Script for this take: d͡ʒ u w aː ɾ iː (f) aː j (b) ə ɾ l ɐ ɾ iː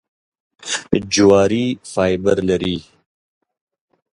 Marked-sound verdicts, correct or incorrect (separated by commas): correct, correct